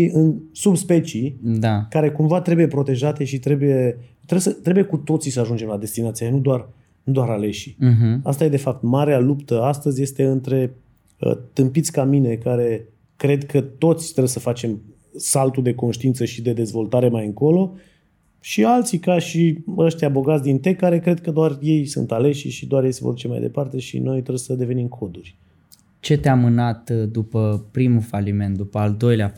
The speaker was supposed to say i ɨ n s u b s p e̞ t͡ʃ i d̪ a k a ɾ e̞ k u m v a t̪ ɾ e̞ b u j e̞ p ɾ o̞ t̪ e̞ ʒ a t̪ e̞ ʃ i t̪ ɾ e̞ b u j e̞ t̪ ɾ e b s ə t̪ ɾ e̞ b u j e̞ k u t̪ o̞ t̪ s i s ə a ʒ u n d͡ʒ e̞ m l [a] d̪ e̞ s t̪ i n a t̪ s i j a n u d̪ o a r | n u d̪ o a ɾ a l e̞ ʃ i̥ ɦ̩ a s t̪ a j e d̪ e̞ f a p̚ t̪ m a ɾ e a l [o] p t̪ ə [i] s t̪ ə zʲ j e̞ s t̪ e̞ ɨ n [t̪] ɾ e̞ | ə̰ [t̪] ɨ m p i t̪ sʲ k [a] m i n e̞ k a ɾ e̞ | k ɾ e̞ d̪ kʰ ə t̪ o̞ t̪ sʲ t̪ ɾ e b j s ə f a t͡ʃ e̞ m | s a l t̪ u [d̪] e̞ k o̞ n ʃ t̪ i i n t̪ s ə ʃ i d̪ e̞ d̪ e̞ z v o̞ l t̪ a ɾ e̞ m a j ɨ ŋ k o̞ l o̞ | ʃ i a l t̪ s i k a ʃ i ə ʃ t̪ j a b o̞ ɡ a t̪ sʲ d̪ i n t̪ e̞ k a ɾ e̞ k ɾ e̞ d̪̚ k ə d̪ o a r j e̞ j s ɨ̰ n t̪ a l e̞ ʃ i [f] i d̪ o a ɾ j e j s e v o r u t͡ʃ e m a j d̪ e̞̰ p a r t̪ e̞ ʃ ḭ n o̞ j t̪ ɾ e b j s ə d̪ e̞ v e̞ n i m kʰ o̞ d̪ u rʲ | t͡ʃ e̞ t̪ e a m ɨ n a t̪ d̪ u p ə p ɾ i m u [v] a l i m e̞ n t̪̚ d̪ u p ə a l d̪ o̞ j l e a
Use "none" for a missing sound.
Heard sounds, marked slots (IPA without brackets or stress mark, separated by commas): a, u, a, t̪, t̪, a, d̪, ʃ, f